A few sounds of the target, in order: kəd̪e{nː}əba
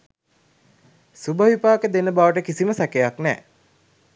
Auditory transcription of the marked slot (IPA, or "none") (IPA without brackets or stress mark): n